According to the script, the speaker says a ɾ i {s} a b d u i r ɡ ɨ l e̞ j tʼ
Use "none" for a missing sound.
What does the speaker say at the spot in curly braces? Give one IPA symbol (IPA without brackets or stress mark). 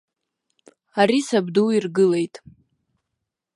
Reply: s